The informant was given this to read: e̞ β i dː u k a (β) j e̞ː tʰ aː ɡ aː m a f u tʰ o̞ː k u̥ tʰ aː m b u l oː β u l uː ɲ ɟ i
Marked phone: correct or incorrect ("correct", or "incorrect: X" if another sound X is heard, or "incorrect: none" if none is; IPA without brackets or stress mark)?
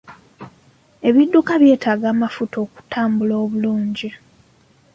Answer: correct